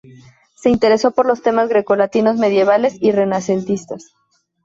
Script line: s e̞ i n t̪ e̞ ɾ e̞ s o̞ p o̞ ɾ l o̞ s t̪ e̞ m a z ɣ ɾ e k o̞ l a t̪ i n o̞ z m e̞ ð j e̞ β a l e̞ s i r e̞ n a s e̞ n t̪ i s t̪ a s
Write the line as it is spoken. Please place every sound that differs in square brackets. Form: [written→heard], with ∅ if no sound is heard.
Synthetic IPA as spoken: s e̞ i n t̪ e̞ ɾ e̞ s o̞ p o̞ ɾ l o̞ s t̪ e̞ m a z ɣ ɾ e k o̞ l a t̪ i n o̞ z m e̞ ð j e̞ β a l e̞ s i r e̞ n a s e̞ n t̪ i s t̪ a s